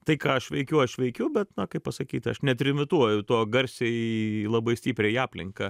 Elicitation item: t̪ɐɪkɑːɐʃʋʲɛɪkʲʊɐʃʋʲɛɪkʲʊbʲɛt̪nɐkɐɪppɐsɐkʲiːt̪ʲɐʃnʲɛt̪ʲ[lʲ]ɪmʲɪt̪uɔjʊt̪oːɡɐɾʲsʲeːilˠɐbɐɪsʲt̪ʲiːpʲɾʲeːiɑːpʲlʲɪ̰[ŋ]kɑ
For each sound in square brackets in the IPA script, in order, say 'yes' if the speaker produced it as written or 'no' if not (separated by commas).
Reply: no, yes